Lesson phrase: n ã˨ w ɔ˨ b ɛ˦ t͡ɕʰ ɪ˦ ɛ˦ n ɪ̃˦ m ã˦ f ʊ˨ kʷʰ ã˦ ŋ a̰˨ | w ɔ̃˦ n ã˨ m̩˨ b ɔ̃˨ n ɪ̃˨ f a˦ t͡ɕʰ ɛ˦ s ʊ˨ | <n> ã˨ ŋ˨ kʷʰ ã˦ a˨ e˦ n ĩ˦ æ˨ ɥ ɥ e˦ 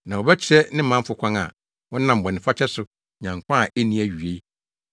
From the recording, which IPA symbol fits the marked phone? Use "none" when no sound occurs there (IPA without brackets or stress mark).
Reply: ɲ